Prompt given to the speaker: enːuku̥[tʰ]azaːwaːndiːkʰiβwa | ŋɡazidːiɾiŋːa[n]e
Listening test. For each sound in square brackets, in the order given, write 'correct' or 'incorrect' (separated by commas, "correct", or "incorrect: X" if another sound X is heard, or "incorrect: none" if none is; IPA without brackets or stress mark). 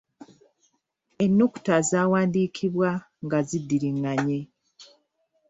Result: incorrect: t, incorrect: ɲ